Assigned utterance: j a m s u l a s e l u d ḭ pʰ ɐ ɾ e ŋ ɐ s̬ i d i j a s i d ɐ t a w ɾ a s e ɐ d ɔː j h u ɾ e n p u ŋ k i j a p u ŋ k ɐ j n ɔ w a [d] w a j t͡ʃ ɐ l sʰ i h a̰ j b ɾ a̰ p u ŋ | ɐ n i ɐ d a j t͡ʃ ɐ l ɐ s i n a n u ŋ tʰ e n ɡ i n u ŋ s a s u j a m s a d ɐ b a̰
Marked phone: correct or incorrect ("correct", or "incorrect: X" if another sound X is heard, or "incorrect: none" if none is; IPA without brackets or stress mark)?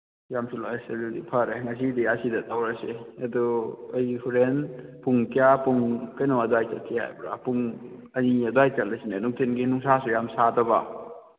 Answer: correct